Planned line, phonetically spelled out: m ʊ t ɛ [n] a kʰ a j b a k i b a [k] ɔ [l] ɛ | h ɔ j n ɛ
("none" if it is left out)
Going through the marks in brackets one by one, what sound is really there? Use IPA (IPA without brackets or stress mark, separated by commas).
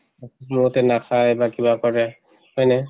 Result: n, k, ɹ